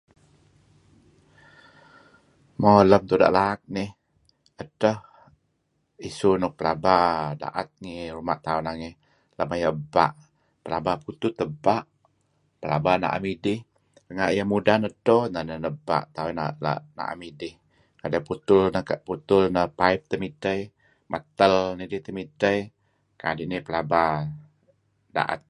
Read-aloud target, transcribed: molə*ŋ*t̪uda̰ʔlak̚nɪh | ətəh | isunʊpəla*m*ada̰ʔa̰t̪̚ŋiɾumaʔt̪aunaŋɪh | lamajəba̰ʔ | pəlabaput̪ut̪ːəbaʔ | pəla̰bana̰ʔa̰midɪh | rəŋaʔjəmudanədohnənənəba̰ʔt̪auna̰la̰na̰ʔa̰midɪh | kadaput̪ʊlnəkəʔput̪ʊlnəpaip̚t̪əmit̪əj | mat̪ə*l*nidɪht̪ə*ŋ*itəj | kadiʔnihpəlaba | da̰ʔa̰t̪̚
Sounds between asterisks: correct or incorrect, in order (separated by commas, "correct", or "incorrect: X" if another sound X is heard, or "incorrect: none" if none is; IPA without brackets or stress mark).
incorrect: m, incorrect: b, correct, incorrect: m